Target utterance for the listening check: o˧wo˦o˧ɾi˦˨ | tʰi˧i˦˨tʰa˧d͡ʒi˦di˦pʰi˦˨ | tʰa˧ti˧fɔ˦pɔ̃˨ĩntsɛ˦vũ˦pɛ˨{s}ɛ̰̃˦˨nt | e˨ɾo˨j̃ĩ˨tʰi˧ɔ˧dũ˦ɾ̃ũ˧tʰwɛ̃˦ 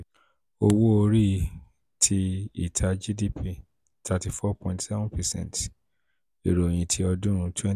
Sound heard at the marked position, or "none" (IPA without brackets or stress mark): s